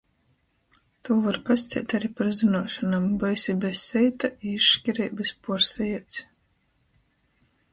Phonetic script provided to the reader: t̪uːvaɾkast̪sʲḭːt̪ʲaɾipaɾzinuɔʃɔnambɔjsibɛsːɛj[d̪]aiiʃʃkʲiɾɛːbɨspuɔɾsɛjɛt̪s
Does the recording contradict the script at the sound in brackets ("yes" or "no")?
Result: yes